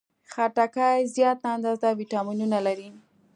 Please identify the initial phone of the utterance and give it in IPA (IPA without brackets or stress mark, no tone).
x